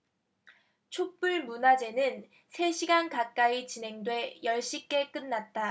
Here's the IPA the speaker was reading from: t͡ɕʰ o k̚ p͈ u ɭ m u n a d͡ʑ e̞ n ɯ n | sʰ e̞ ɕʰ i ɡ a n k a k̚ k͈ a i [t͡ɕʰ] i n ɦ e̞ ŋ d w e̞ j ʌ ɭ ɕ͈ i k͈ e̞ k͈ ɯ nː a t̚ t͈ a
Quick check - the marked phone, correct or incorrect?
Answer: incorrect: t͡ɕ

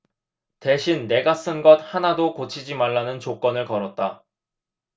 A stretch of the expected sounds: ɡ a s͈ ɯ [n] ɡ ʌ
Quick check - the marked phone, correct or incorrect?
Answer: correct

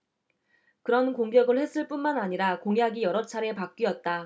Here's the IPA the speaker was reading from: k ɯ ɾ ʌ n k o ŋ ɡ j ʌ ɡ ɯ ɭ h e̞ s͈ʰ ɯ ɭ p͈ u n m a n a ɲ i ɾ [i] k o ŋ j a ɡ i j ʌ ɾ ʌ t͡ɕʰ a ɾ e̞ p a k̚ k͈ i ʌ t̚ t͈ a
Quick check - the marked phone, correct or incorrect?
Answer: incorrect: a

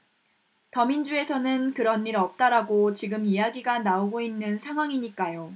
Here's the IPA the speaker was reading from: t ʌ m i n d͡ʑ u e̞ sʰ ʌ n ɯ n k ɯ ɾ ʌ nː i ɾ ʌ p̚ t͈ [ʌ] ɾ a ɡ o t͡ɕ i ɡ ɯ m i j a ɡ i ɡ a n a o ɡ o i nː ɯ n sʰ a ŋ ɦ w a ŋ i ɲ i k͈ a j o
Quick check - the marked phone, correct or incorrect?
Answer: incorrect: a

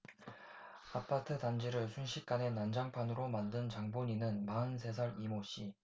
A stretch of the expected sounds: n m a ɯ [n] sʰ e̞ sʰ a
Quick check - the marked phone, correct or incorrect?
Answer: correct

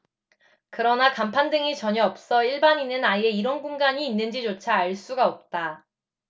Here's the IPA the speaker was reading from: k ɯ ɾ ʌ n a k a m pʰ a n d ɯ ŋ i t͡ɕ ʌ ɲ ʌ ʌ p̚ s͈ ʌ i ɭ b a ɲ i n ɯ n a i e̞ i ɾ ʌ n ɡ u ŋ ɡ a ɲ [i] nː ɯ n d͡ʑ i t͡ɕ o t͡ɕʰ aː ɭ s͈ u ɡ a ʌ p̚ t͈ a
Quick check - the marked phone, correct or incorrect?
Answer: incorrect: iː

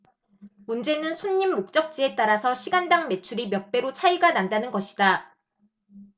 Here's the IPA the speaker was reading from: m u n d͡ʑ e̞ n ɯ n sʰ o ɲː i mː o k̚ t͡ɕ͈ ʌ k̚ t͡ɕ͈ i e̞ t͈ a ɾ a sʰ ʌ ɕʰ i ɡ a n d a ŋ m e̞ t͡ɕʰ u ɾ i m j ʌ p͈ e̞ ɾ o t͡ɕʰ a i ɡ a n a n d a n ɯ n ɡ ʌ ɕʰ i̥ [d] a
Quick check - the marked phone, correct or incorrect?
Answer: correct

